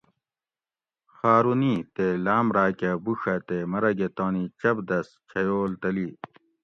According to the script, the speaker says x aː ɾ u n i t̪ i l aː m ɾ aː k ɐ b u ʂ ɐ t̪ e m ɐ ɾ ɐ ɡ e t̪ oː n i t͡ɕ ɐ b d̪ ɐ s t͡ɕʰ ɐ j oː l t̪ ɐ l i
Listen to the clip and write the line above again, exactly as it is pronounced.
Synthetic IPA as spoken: x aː ɾ u n i t̪ e l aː m ɾ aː k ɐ b u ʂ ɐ t̪ e m ɐ ɾ ɐ ɡ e t̪ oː n i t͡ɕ ɐ b d̪ ɐ s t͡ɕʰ ɐ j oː l t̪ ɐ l i